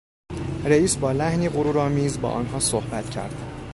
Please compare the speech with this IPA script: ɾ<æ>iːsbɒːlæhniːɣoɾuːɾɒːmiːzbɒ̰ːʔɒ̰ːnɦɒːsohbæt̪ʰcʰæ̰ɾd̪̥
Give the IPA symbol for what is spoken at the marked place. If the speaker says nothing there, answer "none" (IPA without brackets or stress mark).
e